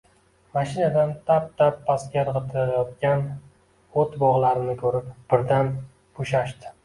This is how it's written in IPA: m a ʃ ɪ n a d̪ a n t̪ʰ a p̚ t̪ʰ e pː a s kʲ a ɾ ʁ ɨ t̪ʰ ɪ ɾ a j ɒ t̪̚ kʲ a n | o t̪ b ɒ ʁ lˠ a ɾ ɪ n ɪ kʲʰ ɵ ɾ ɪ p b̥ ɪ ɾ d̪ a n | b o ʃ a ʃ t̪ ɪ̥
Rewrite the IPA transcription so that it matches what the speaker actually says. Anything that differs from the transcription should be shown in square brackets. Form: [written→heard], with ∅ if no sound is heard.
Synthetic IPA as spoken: m a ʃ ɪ n a d̪ a n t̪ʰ a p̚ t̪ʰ [e→a] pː a s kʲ a ɾ ʁ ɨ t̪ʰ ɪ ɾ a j ɒ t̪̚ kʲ a n | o t̪ b ɒ ʁ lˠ a ɾ ɪ n ɪ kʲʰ ɵ ɾ ɪ p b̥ ɪ ɾ d̪ a n | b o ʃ a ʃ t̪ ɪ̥